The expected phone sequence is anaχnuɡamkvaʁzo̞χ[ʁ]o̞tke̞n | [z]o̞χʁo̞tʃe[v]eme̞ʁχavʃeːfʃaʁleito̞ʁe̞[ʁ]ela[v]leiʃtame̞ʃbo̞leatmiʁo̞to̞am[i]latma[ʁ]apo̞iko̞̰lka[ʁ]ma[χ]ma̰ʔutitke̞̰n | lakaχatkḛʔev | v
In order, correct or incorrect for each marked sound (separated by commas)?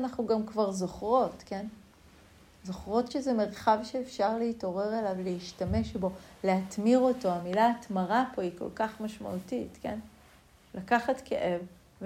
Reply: correct, correct, incorrect, correct, correct, correct, correct, incorrect, incorrect